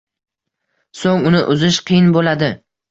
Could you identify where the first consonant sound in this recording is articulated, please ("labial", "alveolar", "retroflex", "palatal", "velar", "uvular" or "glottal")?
alveolar